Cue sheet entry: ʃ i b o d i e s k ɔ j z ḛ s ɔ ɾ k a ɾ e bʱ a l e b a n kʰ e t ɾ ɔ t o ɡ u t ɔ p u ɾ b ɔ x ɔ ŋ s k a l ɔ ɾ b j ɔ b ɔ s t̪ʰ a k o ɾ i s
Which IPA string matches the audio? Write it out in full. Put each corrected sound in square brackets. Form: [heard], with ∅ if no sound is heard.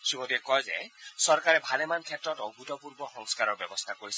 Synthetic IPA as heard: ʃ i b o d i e [∅] k ɔ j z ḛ s ɔ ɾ k a ɾ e bʱ a l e [m] a n kʰ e t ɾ ɔ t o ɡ u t ɔ p u ɾ b ɔ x ɔ ŋ s k a [ɾ] ɔ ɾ b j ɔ b ɔ s t̪ʰ a k o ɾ i s